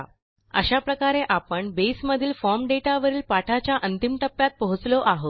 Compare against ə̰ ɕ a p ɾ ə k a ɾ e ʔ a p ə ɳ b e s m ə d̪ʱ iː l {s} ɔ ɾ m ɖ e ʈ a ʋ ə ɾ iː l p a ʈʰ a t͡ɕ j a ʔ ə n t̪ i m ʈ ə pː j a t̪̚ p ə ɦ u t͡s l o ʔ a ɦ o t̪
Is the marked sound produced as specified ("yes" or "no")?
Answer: no